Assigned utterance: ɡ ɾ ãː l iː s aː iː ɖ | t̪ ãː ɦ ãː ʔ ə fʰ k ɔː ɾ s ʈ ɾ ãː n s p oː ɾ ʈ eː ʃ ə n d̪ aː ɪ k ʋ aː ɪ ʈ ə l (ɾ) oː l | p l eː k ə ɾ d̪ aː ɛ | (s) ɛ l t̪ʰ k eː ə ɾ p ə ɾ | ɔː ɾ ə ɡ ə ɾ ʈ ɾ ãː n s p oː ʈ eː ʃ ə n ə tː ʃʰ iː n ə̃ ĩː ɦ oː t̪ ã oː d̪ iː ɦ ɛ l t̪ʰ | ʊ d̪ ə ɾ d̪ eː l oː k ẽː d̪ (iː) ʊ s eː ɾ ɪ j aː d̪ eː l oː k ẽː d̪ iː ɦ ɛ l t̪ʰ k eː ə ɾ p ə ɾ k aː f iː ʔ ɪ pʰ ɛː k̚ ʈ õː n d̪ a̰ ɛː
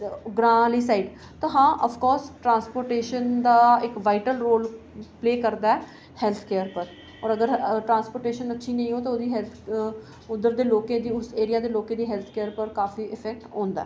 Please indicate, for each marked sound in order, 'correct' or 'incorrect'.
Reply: correct, incorrect: h, correct

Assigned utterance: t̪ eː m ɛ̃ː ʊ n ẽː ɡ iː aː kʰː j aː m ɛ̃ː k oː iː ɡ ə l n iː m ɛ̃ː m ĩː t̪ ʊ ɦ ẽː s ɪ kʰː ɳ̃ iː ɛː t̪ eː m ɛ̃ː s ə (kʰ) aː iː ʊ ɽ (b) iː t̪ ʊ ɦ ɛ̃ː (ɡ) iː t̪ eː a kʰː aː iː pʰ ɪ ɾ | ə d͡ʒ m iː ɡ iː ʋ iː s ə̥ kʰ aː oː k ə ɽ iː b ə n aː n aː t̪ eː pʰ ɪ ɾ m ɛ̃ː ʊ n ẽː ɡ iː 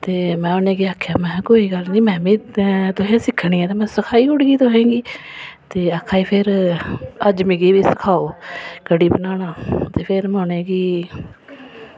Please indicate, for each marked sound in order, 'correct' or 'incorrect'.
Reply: correct, incorrect: ɡ, correct

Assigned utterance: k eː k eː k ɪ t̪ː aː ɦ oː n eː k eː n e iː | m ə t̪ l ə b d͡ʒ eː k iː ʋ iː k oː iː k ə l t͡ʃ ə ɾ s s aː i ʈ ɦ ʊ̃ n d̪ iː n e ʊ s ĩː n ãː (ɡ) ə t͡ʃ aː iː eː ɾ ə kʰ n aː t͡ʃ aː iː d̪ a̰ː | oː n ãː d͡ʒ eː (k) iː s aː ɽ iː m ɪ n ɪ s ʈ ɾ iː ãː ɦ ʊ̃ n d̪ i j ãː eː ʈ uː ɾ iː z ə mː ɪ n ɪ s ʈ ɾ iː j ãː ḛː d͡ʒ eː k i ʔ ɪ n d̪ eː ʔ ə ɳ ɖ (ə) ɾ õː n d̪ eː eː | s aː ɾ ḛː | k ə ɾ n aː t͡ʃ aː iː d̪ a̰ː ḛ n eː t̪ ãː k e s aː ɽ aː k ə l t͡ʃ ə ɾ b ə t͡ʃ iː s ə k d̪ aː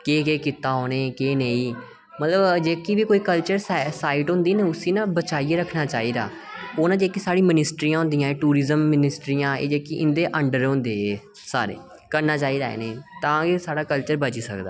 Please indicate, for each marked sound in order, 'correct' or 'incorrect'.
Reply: incorrect: b, correct, correct

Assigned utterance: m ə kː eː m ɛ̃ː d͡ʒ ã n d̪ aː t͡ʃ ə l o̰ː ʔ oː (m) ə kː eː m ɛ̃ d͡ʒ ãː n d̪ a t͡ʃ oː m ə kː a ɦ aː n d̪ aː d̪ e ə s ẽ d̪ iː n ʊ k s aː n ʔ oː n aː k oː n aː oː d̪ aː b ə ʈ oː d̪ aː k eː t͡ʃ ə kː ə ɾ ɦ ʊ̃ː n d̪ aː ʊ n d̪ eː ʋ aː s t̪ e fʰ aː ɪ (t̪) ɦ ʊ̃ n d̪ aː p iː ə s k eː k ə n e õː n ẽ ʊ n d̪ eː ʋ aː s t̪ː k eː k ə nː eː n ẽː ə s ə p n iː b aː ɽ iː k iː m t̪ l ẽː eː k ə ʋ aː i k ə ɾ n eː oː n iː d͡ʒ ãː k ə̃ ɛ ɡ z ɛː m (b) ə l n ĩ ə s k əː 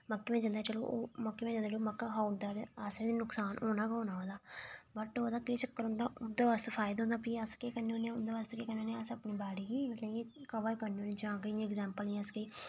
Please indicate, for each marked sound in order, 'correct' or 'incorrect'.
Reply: correct, incorrect: d̪, incorrect: p

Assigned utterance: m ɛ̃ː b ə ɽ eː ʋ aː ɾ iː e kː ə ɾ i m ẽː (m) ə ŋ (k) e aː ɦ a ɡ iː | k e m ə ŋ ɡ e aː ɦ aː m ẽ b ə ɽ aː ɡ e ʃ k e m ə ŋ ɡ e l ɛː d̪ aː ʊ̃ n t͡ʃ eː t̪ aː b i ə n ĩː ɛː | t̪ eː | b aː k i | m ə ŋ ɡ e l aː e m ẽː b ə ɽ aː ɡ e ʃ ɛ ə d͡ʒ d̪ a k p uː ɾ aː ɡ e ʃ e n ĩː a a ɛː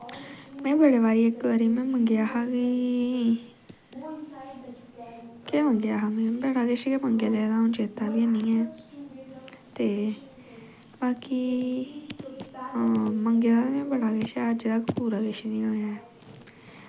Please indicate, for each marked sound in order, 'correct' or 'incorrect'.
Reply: correct, incorrect: ɡ

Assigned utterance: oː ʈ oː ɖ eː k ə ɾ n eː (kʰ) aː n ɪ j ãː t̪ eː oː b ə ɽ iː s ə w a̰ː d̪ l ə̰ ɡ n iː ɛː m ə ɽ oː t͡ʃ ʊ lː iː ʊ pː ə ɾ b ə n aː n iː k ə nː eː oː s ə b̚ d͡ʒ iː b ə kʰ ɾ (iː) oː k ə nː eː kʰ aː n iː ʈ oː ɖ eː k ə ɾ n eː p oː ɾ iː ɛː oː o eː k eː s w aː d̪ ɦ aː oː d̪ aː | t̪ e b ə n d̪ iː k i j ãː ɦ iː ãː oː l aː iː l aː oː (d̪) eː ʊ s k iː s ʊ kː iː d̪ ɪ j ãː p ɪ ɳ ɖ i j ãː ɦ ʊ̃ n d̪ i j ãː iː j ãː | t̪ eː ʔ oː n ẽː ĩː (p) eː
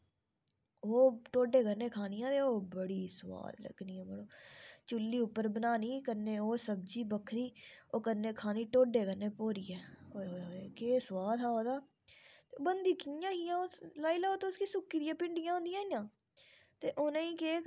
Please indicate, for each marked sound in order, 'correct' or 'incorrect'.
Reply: correct, correct, incorrect: t̪, incorrect: k

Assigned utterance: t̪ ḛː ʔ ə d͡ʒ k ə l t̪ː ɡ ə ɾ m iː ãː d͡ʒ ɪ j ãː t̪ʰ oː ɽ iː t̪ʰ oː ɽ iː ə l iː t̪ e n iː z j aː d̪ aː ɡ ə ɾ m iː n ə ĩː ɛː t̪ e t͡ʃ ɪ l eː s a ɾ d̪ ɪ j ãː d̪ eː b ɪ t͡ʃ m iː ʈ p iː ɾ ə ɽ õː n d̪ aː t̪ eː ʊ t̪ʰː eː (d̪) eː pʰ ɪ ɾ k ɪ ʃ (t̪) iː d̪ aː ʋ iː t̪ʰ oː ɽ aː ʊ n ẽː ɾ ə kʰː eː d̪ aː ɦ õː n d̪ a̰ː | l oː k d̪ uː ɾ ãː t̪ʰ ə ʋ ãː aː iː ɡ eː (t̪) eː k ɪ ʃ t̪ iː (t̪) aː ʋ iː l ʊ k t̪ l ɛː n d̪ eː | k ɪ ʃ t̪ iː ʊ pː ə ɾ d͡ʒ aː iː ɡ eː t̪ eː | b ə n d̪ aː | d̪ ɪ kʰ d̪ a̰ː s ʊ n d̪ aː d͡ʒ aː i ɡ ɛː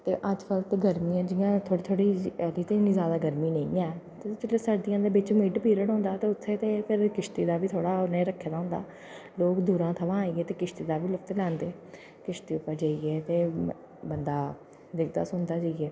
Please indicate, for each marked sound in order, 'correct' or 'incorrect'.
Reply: incorrect: t̪, correct, correct, incorrect: d̪

